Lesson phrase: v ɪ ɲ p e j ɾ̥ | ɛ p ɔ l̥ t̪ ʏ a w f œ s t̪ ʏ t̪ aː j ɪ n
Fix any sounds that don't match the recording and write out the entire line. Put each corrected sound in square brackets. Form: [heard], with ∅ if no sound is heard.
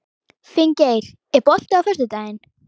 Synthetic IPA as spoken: [f] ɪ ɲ [c] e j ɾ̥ | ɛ p ɔ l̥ t̪ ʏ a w f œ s t̪ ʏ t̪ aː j ɪ n